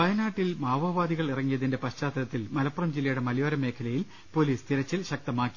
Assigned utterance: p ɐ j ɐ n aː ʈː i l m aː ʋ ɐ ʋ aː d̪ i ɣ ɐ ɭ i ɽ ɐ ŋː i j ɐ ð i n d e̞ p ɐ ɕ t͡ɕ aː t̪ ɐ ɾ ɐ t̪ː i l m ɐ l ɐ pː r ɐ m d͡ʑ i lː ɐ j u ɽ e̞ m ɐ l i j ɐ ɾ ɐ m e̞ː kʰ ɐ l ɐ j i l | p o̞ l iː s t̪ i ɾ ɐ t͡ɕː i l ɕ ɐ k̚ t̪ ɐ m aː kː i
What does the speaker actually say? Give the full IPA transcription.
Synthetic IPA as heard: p ɐ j ɐ n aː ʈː i l m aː ʋ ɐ ʋ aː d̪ i ɣ ɐ ɭ i r ɐ ŋː i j ɐ ð i n d e̞ p ɐ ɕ t͡ɕ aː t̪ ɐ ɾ ɐ t̪ː i l m ɐ l ɐ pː r ɐ m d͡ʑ i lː ɐ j u ɽ e̞ m ɐ l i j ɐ ɾ ɐ m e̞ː kʰ ɐ l ɐ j i l | p o̞ l iː s t̪ i ɾ ɐ t͡ɕː i l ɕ ɐ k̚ t̪ ɐ m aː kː i